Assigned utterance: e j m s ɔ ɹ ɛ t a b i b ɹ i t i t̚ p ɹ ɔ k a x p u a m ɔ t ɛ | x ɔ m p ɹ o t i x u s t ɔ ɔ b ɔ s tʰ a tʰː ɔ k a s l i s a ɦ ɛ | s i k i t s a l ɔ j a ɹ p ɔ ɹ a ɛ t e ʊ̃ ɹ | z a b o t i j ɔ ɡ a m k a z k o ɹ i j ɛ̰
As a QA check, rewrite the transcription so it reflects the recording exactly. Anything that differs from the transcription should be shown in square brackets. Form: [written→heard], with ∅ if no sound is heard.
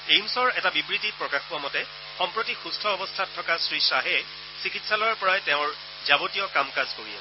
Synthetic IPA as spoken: e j m s ɔ ɹ ɛ t a b i b ɹ i t i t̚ p ɹ ɔ k a x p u a m ɔ t ɛ | x ɔ m p ɹ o t i x u s [t→tʰ] ɔ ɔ b ɔ s tʰ a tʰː ɔ k a s [l→ɹ] i s a ɦ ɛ | s i k i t s a l ɔ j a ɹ p ɔ ɹ a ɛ t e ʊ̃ ɹ | z a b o t i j ɔ [ɡ→k] a m k a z k o ɹ i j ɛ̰